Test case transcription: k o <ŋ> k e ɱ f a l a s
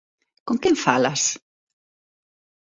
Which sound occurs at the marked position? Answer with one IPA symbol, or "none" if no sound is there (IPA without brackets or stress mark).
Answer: ŋ